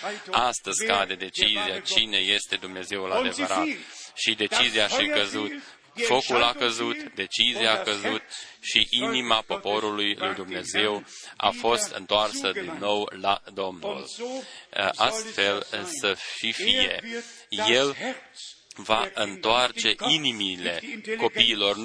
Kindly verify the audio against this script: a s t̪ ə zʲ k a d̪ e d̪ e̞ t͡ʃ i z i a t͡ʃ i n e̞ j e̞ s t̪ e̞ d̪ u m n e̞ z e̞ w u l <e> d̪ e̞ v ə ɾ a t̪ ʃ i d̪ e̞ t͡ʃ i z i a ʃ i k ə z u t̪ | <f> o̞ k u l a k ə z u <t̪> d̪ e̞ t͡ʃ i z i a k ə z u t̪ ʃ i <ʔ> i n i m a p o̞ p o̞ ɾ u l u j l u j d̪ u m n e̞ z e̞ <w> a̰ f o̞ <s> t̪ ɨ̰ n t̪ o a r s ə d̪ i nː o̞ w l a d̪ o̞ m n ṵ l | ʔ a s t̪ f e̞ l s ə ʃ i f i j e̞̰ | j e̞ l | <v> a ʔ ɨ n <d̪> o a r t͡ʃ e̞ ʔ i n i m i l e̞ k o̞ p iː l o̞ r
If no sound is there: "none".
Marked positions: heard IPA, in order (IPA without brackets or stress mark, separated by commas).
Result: a, f, t̪, ʔ, w, s, v, t̪